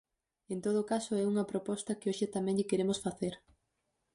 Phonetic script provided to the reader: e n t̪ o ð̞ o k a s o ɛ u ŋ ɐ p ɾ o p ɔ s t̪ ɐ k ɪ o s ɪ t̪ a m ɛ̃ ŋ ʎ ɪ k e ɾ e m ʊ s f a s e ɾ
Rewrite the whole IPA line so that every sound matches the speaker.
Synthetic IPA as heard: e n t̪ o ð̞ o k a s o ɛ u ŋ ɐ p ɾ o p ɔ s t̪ ɐ k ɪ o ʃ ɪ t̪ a m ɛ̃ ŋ ʎ ɪ k e ɾ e m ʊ s f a θ e ɾ